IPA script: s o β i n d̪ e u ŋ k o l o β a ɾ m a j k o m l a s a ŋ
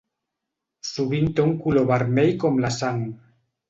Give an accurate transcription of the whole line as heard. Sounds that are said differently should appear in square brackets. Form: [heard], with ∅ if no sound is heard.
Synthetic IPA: s [u] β i n [t̪] e u ŋ k [u] l o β a ɾ m [e] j k o m l a s a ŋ